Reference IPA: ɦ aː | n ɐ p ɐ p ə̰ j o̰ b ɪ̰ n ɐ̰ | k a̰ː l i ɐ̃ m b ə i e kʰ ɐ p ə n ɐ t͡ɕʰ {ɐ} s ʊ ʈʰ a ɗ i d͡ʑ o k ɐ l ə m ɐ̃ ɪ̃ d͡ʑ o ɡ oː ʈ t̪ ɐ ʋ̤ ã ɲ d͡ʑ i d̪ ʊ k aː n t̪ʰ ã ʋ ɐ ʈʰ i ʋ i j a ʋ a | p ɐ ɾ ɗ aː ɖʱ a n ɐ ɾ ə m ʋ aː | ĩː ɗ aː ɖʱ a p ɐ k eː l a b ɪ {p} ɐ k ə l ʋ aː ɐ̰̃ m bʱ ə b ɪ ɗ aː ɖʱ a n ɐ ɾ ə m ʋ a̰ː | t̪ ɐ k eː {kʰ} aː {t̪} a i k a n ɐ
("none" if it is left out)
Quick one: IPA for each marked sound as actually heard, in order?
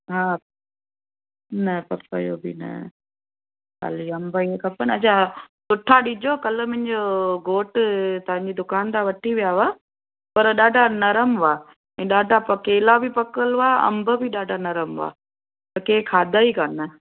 a, p, kʰ, d̪

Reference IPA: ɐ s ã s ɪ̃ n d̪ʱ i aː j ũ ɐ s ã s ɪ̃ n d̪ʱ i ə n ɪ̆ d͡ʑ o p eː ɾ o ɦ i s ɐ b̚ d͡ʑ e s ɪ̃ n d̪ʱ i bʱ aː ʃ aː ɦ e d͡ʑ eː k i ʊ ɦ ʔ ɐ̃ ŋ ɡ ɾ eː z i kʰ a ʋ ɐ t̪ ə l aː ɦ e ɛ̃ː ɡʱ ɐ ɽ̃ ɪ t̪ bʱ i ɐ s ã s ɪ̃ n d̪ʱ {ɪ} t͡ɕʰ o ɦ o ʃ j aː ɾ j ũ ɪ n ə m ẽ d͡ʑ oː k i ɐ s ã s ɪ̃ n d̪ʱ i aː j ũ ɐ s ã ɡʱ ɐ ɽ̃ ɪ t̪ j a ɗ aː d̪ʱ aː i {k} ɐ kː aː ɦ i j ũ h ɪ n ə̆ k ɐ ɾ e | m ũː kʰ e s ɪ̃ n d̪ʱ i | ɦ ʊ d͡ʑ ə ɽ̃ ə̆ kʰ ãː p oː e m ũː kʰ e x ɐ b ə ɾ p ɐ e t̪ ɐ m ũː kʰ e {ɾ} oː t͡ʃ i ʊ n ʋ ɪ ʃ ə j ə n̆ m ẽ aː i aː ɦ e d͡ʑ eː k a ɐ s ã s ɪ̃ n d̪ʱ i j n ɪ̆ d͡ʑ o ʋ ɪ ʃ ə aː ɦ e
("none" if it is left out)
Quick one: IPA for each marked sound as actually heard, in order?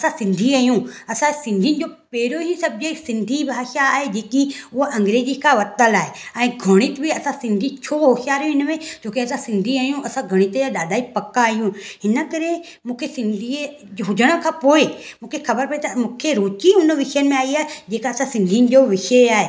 i, p, ɾ

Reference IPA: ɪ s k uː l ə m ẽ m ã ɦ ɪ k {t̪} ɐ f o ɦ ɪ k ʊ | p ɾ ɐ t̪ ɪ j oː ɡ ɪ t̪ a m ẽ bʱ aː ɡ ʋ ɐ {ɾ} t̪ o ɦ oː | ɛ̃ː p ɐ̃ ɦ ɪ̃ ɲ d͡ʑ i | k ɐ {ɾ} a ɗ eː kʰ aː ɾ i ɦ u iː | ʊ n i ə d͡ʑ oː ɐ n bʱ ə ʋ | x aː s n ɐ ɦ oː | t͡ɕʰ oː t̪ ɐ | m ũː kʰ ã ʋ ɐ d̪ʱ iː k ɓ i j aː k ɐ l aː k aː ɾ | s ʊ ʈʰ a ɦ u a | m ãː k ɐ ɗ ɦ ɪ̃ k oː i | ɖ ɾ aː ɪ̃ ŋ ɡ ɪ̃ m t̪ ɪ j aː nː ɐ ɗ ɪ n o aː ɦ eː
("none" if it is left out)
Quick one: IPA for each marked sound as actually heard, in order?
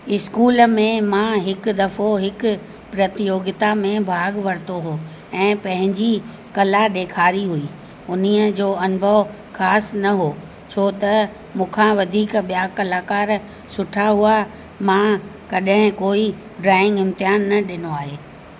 d̪, ɾ, l

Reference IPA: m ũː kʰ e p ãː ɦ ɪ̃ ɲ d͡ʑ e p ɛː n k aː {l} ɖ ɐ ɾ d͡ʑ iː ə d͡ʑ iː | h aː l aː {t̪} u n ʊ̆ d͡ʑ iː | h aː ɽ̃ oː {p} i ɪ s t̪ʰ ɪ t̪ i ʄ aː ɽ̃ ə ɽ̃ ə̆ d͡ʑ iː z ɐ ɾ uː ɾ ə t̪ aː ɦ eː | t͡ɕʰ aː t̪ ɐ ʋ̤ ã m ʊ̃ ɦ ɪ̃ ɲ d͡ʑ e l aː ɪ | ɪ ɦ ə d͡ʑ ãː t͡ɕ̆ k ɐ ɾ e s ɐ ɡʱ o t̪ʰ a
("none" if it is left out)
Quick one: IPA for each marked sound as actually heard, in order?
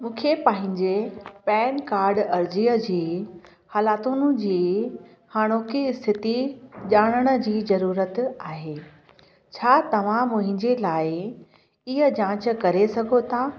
ɾ, t̪, k

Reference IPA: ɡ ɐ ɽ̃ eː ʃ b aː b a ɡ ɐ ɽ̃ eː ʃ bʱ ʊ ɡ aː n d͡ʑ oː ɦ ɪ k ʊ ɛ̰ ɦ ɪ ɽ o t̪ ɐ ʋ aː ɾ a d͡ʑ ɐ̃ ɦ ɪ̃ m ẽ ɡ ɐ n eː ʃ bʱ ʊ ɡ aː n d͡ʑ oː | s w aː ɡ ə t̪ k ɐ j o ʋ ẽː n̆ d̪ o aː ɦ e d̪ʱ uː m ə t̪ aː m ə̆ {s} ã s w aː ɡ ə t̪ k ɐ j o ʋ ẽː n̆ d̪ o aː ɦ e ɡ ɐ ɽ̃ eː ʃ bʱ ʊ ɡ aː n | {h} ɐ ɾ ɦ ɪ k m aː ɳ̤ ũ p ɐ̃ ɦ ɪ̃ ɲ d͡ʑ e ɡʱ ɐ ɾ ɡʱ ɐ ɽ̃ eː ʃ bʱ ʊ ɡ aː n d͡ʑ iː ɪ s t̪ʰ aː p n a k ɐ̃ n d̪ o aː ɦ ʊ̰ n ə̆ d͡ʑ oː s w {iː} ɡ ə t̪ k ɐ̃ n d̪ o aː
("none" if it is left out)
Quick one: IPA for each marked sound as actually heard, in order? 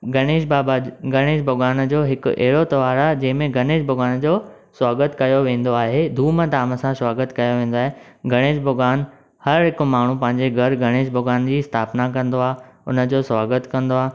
s, h, aː

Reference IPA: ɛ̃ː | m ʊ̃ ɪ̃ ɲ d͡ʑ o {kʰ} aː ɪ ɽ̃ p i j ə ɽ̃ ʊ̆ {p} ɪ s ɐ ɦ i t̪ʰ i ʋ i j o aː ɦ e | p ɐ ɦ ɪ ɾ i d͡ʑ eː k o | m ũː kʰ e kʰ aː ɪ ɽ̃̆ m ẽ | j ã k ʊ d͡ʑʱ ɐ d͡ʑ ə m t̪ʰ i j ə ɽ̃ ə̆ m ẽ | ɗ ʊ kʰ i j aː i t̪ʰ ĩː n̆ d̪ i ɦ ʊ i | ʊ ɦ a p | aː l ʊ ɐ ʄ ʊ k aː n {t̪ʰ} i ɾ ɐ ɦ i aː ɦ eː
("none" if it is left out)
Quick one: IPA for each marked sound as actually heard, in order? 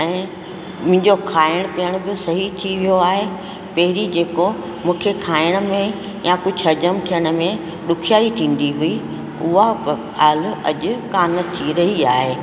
kʰ, b, t̪ʰ

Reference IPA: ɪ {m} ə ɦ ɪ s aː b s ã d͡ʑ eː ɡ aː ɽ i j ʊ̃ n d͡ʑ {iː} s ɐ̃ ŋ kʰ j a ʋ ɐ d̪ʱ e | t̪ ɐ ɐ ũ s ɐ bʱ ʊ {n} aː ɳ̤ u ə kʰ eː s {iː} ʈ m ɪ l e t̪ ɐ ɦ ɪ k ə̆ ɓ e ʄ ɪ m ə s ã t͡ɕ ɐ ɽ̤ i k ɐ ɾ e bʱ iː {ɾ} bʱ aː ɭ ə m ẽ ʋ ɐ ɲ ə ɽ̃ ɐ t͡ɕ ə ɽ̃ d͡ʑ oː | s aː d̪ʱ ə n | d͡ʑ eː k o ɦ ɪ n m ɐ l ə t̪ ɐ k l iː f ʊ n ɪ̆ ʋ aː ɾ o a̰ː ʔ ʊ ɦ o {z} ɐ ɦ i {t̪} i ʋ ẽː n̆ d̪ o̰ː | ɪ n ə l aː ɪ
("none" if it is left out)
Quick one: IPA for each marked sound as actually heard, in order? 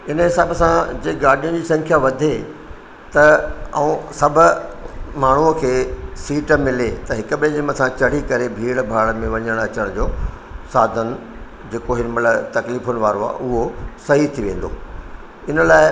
n, iː, m, iː, ɽ, s, t̪ʰ

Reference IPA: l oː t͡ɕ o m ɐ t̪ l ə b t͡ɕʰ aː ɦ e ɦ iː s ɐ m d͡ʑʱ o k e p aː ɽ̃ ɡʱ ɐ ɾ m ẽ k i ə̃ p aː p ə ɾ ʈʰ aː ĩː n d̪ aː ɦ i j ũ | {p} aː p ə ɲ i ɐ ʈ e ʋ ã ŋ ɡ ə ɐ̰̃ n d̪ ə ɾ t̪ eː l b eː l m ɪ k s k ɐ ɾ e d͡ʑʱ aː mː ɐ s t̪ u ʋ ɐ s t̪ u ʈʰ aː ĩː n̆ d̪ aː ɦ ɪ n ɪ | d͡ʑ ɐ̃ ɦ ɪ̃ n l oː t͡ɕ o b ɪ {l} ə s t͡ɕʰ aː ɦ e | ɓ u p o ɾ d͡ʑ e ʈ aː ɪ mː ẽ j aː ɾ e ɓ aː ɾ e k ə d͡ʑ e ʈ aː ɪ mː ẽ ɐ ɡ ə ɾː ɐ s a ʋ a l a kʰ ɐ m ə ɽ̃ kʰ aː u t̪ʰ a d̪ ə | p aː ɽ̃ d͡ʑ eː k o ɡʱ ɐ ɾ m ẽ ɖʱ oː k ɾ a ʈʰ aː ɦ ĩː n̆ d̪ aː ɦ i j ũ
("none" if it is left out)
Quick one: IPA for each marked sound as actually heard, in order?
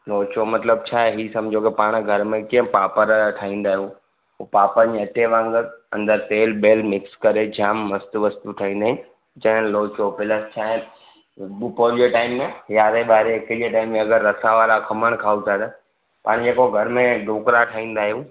p, l

